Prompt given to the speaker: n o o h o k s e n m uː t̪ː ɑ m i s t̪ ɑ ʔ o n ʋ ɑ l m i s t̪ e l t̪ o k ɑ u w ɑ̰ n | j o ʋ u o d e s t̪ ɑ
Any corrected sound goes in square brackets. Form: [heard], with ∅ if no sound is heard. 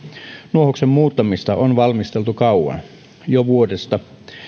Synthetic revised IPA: n [u] o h o k s e [m] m uː t̪ː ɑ m i s t̪ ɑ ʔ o n ʋ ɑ l m i s t̪ e l t̪ [u] k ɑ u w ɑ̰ n | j o ʋ u o d e s t̪ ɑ